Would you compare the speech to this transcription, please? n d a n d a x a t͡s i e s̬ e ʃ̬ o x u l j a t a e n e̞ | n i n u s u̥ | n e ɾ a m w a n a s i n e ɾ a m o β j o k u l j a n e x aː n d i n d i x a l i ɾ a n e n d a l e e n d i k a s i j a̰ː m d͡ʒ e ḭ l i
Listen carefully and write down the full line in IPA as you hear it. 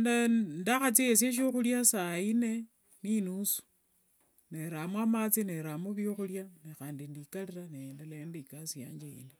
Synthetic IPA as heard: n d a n d a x a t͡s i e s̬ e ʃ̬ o x u l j a s a i n e̞ | n i n u s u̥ | n e ɾ a m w a m a t͡s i n e ɾ a m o β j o x u l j a n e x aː n d i n d i k a l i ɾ a n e n d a l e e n d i k a s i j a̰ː ɲ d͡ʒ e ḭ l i

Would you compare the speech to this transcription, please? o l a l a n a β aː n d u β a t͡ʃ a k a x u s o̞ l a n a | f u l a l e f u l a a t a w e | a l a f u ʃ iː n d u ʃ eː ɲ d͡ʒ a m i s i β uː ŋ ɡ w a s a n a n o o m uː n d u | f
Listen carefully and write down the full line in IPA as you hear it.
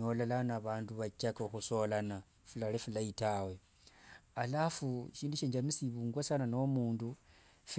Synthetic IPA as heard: o l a l a n a β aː n d u β a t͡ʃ a k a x u s o̞ l a n a | f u l a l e f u l a i t a w e | a l a f u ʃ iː n d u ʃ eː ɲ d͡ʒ a m i s i β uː ŋ ɡ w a s a n a n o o m uː n d u | f

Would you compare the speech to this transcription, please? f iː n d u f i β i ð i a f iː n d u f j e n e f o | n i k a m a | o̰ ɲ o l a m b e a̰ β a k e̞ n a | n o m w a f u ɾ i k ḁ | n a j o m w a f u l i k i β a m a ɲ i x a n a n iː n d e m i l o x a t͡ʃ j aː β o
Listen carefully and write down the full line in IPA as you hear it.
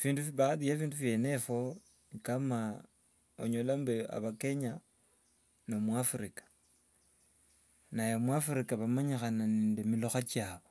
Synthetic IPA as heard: f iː n d u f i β a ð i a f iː n d u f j e n e f o | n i k a m a | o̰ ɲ o l a m b e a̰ β a k e̞ ɲ a | n o m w a f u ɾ i k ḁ | n a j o m w a f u ɾ i k a β a m a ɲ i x a n a n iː n d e m i l o x a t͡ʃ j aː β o

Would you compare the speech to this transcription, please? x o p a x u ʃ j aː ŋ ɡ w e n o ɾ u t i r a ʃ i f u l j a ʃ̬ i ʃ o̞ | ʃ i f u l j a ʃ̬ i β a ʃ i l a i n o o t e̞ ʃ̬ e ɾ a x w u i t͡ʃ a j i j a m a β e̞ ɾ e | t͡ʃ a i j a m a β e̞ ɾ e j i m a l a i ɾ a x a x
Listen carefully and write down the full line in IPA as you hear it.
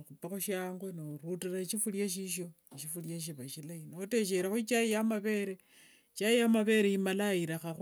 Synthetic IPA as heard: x u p a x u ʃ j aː ŋ ɡ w e n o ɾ u t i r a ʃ i f u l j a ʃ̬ i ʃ o̞ | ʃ i f u l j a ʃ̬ i β a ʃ i l a i n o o t e̞ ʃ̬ e ɾ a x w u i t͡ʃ a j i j a m a β e̞ ɾ e | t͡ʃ a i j a m a β e̞ ɾ e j i m a l a i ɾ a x a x

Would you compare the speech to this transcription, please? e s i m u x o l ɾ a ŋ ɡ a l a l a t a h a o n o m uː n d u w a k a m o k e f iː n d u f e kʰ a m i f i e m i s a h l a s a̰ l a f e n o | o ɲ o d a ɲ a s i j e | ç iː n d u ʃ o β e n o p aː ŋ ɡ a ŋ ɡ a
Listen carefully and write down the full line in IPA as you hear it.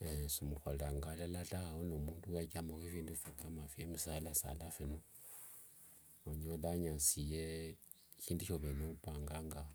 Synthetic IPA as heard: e s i m u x o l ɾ a ŋ ɡ a l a l a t a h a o n o m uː n d u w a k a m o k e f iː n d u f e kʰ a m a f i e m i s a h l a s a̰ l a f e n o | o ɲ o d a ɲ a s i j e | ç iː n d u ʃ o β e n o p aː ŋ ɡ a ŋ ɡ a

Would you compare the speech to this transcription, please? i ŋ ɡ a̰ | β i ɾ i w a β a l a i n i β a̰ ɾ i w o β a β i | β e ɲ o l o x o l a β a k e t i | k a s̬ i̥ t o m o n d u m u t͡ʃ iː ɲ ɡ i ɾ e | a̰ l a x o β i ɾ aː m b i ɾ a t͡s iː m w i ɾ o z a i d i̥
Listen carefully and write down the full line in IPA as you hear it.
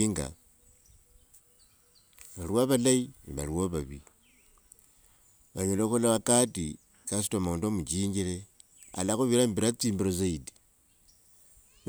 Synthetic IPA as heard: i ŋ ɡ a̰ | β a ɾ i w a β a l a i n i β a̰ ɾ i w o β a β i | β a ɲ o l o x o l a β a k a t i | k a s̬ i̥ t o m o n d o m u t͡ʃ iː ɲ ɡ i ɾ e | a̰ l a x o β i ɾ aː m b i ɾ a t͡s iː m b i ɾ o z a i d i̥

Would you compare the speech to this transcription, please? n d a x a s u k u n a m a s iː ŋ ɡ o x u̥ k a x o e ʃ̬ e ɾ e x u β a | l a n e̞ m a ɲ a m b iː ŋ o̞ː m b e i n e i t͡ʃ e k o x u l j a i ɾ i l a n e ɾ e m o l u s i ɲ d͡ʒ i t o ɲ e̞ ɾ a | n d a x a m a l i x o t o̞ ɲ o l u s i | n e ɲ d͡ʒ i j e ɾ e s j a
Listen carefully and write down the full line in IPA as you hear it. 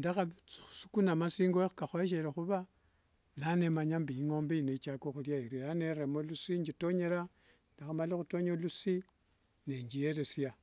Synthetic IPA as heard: n d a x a s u k u n a m a s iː ŋ ɡ o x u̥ k a x o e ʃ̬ e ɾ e x u β a | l a n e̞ m a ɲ a m b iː ŋ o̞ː m b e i n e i t͡ʃ a k o x u l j a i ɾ i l a n e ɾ e m o l u s i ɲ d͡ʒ i t o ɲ e̞ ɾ a | n d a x a m a l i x u t o̞ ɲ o l u s i | n e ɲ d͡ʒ i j e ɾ e s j a

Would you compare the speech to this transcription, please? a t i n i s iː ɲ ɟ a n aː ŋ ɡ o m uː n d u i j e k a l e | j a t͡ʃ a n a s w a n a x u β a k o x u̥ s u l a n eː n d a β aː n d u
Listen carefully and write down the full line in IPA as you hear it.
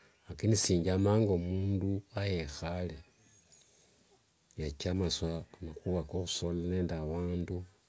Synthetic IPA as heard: a k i n i s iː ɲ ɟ a m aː ŋ ɡ o m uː n d u a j e x a l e | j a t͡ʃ a m a s w a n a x u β a k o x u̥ s o l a n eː n d a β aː n d u

